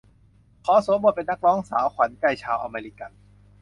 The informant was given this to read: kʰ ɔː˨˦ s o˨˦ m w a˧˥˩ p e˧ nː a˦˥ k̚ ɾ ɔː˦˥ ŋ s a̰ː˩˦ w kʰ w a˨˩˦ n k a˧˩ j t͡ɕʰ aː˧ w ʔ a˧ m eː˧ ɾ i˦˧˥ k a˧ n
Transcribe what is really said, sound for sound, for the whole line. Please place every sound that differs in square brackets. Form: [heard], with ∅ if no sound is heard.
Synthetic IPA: kʰ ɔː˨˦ s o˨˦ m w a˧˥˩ p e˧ nː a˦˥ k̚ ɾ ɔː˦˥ ŋ s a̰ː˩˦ w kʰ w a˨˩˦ n k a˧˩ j t͡ɕʰ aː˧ w ʔ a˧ m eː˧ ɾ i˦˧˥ k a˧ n